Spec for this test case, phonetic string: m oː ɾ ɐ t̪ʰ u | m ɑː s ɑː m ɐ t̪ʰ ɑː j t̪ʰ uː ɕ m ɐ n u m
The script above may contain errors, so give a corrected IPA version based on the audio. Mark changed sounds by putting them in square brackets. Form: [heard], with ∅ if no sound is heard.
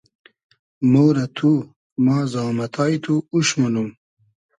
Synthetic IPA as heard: m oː ɾ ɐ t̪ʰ u | m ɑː [z] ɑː m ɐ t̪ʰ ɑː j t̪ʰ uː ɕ m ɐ n u m